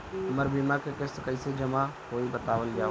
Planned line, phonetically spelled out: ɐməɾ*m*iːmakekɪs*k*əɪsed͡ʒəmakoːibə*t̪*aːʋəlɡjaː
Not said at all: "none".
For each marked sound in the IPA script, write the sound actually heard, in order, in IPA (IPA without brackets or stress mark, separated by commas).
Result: b, k, t̪